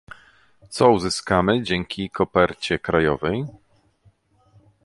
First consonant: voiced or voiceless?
voiceless